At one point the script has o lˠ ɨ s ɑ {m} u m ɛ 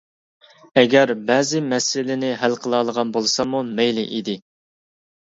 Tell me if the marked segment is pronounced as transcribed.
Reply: yes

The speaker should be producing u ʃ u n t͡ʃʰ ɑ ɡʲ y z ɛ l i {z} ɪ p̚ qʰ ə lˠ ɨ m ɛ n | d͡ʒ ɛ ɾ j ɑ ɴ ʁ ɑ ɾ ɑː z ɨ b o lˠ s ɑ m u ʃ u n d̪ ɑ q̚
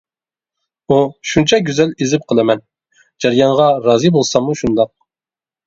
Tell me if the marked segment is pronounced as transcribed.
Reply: yes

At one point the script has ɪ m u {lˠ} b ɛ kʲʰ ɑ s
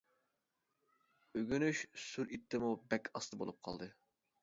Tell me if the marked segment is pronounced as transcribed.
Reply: no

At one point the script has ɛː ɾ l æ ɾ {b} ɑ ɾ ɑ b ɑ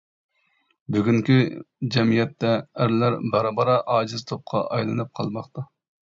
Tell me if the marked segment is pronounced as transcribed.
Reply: yes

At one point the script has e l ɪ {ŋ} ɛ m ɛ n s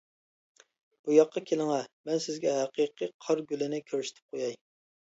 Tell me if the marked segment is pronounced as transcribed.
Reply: yes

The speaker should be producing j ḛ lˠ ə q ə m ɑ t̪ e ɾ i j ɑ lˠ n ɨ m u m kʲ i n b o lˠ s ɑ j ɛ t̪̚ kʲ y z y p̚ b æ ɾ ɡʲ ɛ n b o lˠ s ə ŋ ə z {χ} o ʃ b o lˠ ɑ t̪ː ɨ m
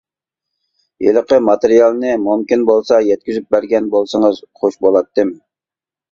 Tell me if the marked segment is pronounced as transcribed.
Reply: yes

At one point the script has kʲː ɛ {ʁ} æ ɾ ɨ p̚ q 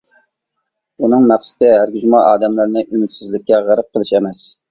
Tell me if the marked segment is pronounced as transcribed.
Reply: yes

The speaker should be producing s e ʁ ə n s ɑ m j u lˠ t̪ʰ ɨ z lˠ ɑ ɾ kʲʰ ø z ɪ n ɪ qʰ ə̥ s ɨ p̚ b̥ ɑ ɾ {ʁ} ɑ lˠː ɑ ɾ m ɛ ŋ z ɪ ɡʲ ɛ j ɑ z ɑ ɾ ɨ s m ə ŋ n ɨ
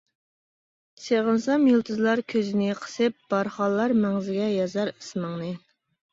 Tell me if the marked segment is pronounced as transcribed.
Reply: no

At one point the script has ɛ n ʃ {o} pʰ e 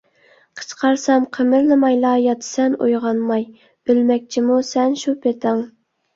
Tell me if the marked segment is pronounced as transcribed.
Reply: no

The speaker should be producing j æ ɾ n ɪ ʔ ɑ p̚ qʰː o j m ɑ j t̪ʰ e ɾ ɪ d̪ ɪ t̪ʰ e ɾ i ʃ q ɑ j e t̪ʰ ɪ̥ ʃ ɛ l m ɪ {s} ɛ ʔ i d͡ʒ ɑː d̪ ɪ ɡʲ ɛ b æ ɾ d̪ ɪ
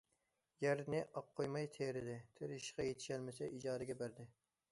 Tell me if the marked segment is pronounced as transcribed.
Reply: yes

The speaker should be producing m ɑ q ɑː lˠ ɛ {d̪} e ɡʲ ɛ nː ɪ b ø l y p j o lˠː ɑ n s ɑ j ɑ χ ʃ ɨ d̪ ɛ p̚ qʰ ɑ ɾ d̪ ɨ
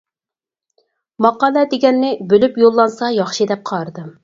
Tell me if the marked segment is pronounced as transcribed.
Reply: yes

